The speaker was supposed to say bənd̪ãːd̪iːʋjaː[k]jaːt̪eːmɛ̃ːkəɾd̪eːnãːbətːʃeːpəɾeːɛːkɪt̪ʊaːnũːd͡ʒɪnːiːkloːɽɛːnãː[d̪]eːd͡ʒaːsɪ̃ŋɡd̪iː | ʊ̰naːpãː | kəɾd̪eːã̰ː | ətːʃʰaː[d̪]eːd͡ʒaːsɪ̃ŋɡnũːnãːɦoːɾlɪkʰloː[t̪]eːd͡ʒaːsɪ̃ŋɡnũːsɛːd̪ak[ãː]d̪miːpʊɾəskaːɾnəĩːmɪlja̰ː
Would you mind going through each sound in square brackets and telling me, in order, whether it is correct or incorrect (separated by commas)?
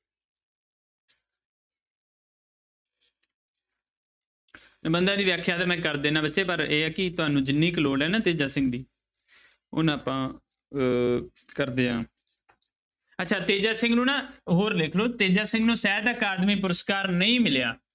incorrect, incorrect, incorrect, correct, incorrect